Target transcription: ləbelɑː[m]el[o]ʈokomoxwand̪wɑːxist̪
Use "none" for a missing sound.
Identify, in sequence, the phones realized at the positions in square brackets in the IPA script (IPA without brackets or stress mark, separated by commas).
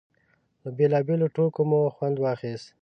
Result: b, o